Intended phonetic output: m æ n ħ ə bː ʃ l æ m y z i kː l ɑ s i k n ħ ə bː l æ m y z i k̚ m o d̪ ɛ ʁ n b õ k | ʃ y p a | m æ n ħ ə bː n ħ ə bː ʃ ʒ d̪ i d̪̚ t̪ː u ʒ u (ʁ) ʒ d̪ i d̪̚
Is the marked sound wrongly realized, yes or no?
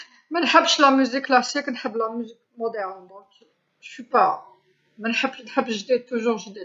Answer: no